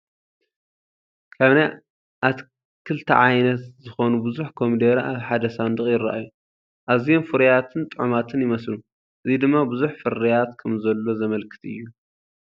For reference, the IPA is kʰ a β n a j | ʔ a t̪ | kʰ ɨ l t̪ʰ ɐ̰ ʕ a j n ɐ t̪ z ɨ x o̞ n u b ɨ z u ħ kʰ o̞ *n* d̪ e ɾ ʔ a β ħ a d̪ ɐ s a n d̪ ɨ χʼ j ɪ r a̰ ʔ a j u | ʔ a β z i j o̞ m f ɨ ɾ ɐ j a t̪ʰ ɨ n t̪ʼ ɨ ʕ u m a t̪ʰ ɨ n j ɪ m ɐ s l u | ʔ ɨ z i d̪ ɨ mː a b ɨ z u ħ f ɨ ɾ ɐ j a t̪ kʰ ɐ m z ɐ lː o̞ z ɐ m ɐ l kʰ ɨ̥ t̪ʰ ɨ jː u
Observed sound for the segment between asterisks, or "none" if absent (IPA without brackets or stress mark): m